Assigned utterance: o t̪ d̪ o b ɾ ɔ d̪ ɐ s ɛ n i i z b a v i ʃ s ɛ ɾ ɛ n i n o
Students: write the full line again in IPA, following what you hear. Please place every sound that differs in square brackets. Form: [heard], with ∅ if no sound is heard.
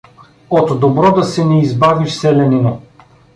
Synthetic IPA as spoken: o t̪ d̪ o b ɾ ɔ d̪ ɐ s ɛ n [ɛ] i z b a v i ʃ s ɛ [l] ɛ n i n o